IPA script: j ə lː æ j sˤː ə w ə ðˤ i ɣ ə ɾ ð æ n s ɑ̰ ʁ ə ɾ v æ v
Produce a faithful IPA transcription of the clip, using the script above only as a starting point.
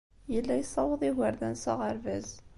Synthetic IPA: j ə lː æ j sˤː ɑ w ə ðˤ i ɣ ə ɾ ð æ n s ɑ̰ ʁ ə ɾ v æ z